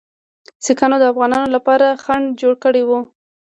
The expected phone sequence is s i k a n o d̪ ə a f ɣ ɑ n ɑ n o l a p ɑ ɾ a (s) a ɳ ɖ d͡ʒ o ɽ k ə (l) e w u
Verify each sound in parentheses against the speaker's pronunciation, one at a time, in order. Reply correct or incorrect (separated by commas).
incorrect, incorrect